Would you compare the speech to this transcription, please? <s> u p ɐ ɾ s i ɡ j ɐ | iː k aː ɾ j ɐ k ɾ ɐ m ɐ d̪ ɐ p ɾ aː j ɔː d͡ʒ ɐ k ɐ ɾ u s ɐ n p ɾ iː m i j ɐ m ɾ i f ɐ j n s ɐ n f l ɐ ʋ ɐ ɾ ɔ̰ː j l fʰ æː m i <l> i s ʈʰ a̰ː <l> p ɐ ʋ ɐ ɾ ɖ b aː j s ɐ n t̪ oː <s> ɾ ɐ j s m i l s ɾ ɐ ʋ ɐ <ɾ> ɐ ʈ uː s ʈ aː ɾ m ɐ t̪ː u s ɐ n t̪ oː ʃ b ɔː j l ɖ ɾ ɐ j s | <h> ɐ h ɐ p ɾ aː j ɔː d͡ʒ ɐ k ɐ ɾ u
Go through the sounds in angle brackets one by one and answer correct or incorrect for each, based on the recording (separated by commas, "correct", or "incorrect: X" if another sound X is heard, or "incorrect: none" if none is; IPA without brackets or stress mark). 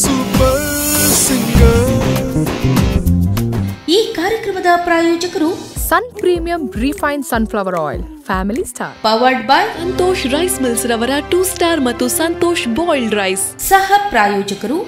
correct, correct, incorrect: ɾ, incorrect: ʃ, correct, incorrect: s